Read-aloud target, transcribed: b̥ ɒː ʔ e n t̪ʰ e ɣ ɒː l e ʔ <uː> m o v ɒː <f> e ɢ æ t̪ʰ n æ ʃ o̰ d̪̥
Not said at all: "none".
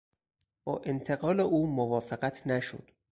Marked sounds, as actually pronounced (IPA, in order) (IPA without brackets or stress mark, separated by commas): uː, f